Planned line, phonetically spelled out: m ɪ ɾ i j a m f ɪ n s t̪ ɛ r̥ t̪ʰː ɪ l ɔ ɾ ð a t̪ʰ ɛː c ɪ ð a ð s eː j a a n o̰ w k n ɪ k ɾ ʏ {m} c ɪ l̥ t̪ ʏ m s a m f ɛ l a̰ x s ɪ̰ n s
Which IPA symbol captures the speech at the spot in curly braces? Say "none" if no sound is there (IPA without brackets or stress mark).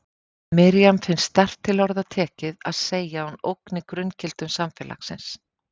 n